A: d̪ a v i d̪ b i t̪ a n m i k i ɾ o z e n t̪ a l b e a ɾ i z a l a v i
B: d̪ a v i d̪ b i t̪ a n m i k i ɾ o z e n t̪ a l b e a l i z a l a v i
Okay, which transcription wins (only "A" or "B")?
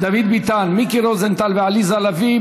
B